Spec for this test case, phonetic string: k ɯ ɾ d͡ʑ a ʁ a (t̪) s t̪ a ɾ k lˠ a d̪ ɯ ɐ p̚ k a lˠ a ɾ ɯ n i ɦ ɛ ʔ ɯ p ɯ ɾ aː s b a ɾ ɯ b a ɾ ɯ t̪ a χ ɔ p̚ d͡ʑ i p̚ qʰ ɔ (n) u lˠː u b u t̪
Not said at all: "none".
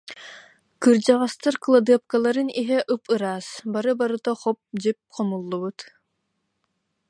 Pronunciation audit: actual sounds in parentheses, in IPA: none, m

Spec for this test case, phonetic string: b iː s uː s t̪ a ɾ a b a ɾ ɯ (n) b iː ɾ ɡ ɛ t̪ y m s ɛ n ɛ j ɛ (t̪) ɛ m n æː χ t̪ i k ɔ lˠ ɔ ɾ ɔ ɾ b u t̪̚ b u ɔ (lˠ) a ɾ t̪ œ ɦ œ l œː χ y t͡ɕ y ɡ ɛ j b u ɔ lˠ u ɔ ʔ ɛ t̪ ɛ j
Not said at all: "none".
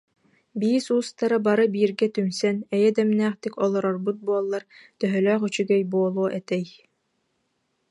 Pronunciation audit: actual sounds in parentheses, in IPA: none, d̪, lˠː

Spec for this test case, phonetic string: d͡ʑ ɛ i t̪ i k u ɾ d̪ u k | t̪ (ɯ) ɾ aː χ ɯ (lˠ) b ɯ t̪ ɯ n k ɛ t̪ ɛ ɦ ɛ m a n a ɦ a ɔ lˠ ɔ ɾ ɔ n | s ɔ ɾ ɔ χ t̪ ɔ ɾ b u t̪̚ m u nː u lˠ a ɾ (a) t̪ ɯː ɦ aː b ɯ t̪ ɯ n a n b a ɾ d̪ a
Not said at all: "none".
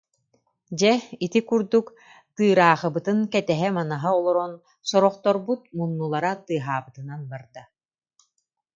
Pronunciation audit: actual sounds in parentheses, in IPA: ɯː, none, a

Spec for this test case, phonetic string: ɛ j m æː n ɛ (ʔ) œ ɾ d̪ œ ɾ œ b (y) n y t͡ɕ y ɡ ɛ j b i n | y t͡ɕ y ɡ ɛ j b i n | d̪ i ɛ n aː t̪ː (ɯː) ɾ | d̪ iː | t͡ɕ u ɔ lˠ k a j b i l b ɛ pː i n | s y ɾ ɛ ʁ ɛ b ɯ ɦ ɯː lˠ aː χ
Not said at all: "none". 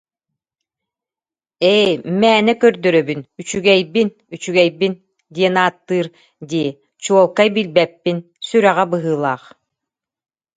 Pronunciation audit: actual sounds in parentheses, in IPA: k, y, ɯː

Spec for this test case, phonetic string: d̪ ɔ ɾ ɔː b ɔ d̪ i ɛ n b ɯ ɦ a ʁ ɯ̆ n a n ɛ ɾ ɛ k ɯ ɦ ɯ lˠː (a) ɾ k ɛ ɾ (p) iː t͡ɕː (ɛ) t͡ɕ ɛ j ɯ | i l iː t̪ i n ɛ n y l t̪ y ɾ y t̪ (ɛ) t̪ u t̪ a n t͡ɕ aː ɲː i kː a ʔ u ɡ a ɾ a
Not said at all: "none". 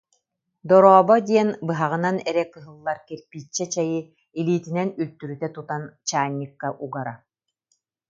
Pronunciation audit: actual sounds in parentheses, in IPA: a, p, ɛ, ɛ

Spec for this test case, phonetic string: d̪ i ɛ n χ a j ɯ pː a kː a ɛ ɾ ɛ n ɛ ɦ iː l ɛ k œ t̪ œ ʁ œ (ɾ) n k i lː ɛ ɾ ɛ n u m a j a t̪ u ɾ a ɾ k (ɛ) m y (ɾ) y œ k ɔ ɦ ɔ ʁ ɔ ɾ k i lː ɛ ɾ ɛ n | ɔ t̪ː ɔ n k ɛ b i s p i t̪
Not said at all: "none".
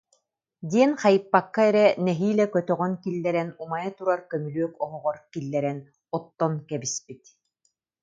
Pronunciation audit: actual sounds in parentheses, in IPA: none, œ, l

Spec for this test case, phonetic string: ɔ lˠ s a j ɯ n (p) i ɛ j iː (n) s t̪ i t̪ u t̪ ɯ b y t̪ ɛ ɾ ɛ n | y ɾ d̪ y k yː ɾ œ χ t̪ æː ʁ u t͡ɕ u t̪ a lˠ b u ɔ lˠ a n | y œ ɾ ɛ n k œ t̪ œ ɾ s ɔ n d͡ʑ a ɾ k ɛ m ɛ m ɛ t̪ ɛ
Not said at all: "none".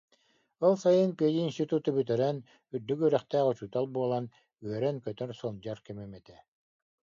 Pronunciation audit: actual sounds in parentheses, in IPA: p, n

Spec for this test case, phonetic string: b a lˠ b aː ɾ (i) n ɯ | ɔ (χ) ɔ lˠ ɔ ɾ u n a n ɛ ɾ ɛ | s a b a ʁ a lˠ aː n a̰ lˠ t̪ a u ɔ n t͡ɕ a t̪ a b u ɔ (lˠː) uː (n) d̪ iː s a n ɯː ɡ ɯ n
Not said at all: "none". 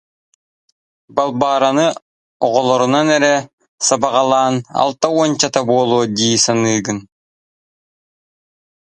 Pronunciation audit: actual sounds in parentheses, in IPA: a, ʁ, lˠ, none

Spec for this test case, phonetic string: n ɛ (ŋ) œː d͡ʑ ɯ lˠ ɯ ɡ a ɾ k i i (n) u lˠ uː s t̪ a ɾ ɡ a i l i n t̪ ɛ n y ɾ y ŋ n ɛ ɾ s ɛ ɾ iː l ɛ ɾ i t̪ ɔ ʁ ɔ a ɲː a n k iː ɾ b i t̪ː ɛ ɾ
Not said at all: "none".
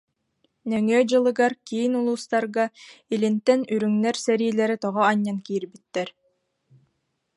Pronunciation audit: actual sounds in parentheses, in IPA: ŋ, n

